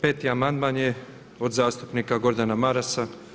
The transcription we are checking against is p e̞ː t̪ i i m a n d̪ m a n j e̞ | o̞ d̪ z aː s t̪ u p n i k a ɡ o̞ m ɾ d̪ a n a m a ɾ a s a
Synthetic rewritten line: p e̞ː t̪ i a m a n d̪ m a n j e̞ | o̞ d̪ z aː s t̪ u p n i k a ɡ o̞ ɾ d̪ a n a m a ɾ a s a